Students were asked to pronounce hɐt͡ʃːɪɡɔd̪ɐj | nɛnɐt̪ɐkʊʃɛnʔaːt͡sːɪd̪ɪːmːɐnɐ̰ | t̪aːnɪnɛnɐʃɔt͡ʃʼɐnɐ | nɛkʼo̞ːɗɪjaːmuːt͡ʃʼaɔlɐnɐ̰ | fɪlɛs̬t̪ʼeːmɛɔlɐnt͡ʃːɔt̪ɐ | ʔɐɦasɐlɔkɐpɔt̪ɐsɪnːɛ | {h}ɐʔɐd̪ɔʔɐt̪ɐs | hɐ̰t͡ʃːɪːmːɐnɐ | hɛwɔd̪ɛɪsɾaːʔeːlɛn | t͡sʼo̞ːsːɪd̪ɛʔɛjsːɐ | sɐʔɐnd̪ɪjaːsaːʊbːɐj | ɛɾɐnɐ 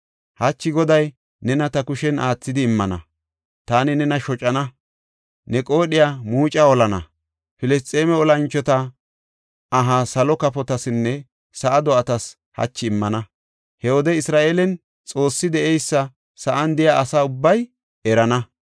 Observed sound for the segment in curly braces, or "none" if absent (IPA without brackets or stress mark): s